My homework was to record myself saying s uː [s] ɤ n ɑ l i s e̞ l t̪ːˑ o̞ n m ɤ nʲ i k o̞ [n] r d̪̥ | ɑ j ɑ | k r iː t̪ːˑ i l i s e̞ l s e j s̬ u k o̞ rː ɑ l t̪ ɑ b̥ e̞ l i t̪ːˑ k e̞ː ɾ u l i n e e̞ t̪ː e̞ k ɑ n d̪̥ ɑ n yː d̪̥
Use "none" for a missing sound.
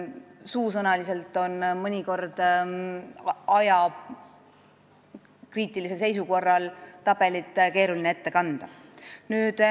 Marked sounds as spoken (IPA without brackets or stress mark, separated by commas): s, none